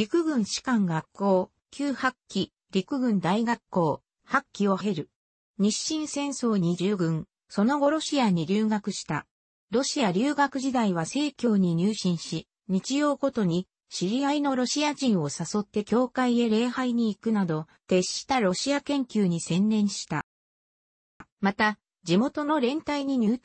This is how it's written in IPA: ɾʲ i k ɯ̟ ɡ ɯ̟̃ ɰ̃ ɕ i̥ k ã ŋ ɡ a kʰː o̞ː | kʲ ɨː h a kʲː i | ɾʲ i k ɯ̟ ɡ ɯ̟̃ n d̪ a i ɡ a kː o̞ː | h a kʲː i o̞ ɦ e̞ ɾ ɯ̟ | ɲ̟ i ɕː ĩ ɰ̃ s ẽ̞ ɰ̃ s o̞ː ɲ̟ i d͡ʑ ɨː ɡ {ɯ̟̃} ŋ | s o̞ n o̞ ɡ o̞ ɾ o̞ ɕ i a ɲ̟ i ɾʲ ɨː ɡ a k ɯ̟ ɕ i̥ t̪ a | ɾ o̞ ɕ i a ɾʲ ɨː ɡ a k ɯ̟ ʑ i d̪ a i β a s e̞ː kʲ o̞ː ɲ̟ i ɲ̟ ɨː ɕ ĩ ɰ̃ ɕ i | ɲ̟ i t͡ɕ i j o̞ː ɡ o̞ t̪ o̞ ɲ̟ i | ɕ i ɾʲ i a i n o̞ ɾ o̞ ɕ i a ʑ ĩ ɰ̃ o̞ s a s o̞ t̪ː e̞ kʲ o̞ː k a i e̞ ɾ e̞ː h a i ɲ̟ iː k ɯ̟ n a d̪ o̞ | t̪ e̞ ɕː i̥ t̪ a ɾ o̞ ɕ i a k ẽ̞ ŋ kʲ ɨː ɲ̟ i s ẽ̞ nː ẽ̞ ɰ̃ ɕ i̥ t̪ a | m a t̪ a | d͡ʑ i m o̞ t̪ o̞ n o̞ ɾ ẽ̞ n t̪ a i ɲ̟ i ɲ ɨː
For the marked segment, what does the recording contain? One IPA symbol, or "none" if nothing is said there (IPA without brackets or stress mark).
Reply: ɯ̟̃